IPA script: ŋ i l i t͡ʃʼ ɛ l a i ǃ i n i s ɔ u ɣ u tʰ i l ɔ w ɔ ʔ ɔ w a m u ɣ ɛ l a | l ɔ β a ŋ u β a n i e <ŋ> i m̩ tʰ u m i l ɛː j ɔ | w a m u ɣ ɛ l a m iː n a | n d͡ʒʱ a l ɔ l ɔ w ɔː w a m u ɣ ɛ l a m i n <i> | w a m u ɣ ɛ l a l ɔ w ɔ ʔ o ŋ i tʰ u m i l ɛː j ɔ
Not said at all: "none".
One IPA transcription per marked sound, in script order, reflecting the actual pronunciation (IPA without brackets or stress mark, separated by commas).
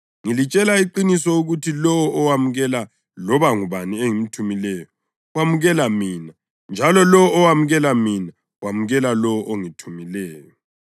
ŋ, a